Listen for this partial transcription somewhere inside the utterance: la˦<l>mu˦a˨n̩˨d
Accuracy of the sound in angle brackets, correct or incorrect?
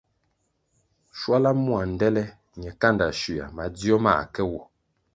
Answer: incorrect: none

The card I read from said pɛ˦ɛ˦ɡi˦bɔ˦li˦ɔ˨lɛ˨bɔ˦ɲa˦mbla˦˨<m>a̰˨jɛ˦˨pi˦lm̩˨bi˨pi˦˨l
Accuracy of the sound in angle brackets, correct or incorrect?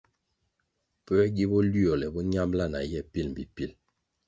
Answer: incorrect: n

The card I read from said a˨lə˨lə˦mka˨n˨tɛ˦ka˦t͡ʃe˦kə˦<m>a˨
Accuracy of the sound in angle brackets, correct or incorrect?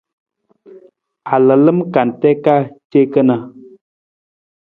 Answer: incorrect: n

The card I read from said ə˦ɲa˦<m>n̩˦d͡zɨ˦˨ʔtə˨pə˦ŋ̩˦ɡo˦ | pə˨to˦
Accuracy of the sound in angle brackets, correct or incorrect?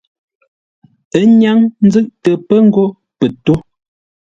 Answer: incorrect: ŋ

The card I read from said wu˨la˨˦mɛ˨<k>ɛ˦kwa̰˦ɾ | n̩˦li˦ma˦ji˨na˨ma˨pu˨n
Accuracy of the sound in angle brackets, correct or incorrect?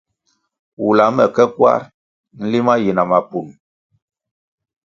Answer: correct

